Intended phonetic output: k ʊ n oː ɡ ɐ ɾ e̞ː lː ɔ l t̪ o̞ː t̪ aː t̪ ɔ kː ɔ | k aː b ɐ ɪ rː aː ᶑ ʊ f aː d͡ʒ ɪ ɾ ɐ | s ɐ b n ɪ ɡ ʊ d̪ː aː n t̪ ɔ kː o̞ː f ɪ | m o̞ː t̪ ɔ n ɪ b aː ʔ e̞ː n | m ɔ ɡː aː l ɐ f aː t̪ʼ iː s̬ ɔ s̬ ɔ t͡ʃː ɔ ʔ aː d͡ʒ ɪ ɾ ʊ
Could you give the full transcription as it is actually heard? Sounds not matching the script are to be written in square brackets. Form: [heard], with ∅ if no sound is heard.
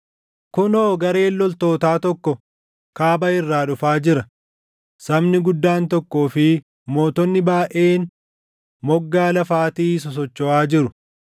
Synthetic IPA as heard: k ʊ n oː ɡ ɐ ɾ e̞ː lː ɔ l t̪ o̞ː t̪ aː t̪ ɔ kː ɔ | k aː b ɐ ɪ rː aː ᶑ ʊ f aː d͡ʒ ɪ ɾ ɐ | s ɐ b n ɪ ɡ ʊ d̪ː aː n t̪ ɔ kː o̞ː f ɪ | m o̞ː t̪ ɔ [nː] ɪ b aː ʔ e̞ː n | m ɔ ɡː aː l ɐ f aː [t̪] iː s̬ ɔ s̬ ɔ t͡ʃː ɔ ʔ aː d͡ʒ ɪ ɾ ʊ